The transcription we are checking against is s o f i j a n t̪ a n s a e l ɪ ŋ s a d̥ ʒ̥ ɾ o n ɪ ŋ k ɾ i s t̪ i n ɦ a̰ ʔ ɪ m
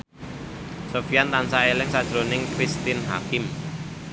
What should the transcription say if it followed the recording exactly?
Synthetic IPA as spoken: s o f i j a n t̪ a n s a e l ɪ ŋ s a d̥ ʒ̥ ɾ o n ɪ ŋ k ɾ i s t̪ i n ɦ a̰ k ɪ m